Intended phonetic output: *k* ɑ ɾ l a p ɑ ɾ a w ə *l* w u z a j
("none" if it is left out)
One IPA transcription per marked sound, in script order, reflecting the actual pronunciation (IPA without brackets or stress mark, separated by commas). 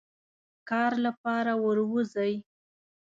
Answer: k, ɾ